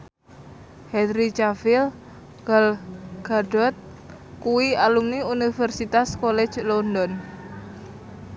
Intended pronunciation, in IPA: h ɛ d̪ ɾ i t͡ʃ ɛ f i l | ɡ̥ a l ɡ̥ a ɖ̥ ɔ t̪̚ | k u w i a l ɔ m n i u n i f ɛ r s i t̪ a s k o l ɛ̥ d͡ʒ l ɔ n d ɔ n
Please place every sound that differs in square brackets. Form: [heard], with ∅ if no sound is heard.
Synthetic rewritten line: h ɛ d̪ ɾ i t͡ʃ [a] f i l | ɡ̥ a l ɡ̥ a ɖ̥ ɔ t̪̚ | k u w i a l [u] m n i u n i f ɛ r s i t̪ a s k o l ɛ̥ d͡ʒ l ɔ n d ɔ n